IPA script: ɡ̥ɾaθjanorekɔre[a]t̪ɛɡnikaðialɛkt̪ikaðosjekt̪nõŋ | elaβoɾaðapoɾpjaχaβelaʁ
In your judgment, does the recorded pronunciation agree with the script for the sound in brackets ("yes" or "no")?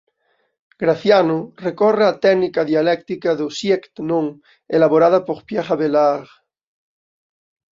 yes